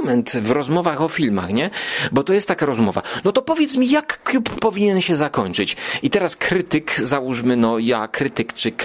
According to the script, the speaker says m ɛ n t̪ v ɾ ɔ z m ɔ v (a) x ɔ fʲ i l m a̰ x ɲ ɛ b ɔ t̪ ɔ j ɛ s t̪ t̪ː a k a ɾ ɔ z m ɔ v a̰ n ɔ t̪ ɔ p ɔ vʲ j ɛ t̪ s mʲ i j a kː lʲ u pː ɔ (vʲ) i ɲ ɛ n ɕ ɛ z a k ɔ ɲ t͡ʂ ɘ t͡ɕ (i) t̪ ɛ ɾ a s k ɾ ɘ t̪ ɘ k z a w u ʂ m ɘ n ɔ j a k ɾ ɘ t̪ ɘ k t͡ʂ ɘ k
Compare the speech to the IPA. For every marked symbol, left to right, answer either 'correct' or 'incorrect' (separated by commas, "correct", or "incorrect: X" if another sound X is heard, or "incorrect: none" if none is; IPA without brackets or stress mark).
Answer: correct, correct, correct